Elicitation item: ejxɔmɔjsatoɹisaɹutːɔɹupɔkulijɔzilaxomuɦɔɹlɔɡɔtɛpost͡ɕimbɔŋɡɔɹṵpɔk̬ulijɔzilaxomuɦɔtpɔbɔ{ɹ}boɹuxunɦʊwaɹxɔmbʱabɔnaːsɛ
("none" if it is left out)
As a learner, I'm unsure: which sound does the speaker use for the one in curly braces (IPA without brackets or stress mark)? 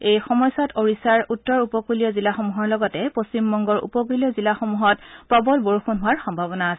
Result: l